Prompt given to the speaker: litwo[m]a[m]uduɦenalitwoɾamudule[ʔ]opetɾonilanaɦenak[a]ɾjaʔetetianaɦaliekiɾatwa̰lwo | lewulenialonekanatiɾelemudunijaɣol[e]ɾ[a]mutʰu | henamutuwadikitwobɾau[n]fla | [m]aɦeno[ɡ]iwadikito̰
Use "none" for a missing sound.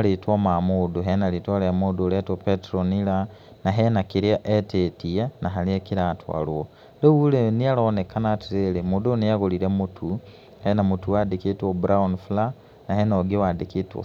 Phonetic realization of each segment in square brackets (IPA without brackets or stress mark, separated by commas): m, m, t, i, i, e, n, n, ɡ